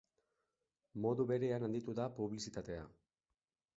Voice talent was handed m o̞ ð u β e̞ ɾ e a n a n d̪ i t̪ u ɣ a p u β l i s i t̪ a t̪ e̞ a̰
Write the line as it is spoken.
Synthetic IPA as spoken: m o̞ ð u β e̞ ɾ e a n a n d̪ i t̪ u ð a p u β l i s i t̪ a t̪ e̞ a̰